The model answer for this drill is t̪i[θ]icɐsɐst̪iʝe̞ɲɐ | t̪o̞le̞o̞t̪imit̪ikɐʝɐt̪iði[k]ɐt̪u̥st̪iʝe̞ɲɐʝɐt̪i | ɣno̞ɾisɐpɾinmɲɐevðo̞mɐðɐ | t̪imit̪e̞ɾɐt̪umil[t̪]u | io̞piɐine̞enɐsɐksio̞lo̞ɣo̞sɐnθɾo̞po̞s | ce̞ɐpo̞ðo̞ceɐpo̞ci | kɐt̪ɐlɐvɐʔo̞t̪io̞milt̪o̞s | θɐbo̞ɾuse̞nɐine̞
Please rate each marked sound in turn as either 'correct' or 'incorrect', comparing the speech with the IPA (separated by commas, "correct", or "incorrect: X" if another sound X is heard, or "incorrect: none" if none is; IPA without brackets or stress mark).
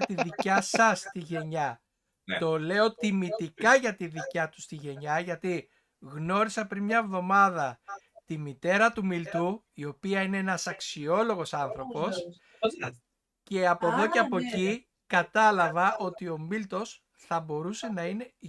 incorrect: ð, incorrect: c, correct